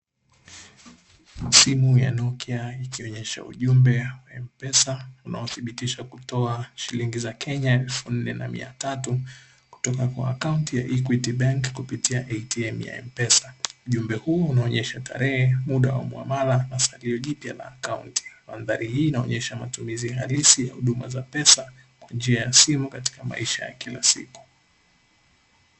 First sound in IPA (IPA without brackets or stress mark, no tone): s